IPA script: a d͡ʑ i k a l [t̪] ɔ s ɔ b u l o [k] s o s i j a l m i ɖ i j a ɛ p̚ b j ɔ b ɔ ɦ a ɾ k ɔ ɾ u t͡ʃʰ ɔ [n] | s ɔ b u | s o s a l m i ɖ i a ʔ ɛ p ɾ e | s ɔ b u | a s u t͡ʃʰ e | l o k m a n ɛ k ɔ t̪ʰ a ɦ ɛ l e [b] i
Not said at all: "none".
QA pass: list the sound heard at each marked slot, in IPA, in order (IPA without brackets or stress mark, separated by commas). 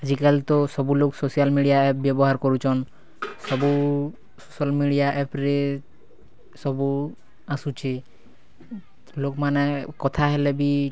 t̪, k, n, b